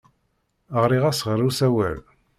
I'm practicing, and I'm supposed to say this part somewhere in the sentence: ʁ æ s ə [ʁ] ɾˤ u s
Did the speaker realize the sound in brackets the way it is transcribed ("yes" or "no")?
yes